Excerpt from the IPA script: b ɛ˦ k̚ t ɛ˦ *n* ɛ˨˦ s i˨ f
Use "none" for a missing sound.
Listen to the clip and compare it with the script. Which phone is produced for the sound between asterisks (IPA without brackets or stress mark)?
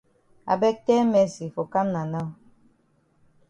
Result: m